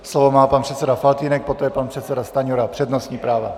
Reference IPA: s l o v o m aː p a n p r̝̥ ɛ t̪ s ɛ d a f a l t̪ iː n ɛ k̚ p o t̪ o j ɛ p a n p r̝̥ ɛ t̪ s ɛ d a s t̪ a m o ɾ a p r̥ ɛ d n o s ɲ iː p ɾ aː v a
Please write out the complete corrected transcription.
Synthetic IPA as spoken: s l o v o m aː p a n p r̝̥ ɛ t̪ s ɛ d a f a l t̪ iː n ɛ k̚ p o t̪ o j ɛ p a n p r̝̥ ɛ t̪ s ɛ d a s t̪ a ɲ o ɾ a p r̥ ɛ d n o s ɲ iː p ɾ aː v a